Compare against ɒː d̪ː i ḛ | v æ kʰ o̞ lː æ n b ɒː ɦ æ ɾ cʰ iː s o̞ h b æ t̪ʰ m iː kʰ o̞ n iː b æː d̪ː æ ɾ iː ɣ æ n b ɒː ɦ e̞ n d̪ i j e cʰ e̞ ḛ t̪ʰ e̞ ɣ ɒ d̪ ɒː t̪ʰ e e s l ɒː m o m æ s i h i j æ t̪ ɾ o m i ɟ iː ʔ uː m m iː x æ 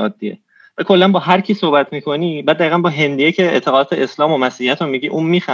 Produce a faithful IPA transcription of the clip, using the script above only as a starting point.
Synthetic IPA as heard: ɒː d̪ː i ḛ | v æ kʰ o̞ lː æ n b ɒː ɦ æ ɾ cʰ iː s o̞ h b æ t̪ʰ m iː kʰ o̞ n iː b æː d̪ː æ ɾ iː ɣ æ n b ɒː ɦ e̞ n d̪ i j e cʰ e̞ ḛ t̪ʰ e̞ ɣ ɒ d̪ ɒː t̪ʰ e e s l ɒː m o m æ s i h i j æ t̪ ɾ o m i ɟ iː ʔ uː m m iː x æ